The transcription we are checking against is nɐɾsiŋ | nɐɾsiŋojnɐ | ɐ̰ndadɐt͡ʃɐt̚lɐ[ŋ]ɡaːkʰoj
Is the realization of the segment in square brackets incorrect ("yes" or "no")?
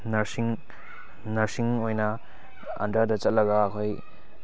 yes